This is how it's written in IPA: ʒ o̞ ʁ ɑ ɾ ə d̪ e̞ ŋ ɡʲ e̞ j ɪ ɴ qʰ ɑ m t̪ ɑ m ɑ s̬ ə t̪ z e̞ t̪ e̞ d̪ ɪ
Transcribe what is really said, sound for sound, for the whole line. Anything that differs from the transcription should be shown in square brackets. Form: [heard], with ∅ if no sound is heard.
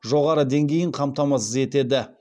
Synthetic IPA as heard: ʒ o̞ ʁ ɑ ɾ ə d̪ e̞ ŋ ɡʲ e̞ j ɪ ɴ qʰ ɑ m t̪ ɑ m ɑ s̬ ə [∅] z e̞ t̪ e̞ d̪ ɪ